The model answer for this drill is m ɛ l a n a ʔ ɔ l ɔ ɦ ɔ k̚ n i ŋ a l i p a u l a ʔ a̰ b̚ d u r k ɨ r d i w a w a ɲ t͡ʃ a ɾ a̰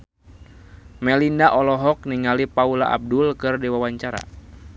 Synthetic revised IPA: m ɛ l i n a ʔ ɔ l ɔ ɦ ɔ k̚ n i ŋ a l i p a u l a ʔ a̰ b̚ d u l k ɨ r d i w a w a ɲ t͡ʃ a ɾ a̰